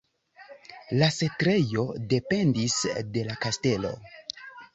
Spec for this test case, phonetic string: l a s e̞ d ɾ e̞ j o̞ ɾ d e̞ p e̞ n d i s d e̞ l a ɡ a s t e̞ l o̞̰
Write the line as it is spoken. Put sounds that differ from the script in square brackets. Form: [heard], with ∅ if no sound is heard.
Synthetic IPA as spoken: l a s e̞ [t] ɾ e̞ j o̞ [∅] d e̞ p e̞ n d i s d e̞ l a [k] a s t e̞ l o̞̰